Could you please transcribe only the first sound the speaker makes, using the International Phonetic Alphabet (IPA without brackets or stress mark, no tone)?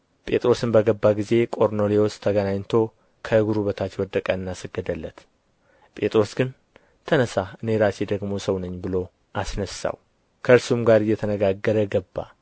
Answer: pʼ